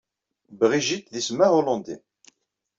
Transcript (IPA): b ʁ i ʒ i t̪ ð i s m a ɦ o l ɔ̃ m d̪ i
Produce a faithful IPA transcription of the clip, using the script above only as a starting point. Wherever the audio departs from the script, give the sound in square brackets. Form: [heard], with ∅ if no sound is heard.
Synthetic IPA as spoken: b ʁ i ʒ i t̪ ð i s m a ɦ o l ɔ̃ [n] d̪ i